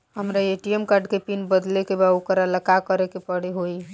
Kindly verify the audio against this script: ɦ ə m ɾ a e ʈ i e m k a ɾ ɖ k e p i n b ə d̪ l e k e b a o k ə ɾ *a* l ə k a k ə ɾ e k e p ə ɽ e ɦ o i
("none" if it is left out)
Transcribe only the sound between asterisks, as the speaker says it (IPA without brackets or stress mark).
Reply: a